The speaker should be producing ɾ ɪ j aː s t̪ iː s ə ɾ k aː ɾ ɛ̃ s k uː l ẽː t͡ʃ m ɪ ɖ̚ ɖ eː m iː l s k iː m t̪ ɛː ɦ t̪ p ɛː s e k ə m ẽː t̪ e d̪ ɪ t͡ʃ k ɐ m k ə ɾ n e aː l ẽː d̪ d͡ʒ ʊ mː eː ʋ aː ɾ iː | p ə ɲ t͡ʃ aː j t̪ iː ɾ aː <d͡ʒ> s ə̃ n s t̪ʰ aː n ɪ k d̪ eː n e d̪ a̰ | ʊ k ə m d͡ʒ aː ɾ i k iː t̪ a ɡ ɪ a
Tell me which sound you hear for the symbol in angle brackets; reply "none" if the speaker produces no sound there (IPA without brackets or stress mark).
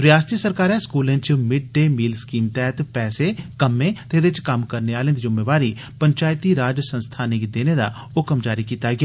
d͡ʒ